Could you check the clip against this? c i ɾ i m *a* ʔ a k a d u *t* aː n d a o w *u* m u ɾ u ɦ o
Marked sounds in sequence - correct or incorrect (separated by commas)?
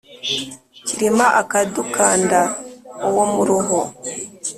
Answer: correct, incorrect, incorrect